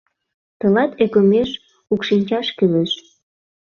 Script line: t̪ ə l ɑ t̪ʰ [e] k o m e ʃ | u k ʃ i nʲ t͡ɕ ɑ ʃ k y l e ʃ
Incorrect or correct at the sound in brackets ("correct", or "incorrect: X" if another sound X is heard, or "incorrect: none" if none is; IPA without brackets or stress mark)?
correct